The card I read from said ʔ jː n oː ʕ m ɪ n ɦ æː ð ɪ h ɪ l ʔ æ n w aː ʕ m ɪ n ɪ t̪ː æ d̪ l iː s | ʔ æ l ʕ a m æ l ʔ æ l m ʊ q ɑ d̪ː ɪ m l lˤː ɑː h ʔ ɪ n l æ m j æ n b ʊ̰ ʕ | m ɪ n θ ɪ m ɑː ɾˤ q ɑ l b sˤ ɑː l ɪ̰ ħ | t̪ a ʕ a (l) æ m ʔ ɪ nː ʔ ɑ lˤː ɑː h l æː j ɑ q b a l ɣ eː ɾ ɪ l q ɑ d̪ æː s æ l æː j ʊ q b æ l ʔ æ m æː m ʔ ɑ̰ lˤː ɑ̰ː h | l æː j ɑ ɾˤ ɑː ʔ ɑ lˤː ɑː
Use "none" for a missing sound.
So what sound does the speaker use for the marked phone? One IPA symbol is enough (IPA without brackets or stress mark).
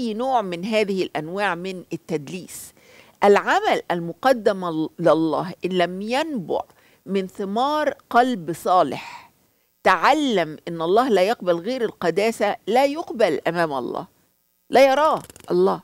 lː